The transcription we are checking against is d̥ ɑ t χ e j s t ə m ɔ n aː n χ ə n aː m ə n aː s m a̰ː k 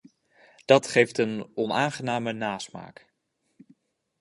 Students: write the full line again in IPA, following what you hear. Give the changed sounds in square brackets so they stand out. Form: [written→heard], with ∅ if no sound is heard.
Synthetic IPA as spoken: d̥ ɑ t χ e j [s→f] t ə [m→n] ɔ n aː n χ ə n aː m ə n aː s m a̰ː k